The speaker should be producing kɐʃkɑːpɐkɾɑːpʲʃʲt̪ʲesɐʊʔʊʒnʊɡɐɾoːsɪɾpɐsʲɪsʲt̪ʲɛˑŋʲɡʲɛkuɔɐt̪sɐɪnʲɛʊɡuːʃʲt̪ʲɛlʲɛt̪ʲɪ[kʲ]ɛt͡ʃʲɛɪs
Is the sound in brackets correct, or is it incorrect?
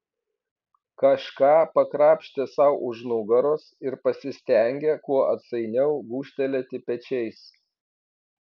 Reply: incorrect